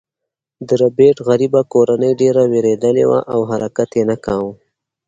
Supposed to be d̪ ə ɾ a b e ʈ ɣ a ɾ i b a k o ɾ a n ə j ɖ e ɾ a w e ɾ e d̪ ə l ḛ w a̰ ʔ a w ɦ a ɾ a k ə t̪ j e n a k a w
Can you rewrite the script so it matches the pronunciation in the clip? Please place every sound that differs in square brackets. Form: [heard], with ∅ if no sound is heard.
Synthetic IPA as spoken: d̪ ə ɾ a b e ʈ ɣ a ɾ i b a k o ɾ a n ə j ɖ e ɾ a w e ɾ e d̪ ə l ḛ w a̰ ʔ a w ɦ a ɾ a k [a] t̪ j e n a k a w